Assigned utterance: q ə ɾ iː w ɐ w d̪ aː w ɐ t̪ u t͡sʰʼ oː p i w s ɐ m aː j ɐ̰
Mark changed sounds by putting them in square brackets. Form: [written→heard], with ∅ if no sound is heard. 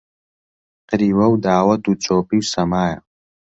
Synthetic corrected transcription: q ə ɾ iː w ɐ w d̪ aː w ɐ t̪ u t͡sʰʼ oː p i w s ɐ m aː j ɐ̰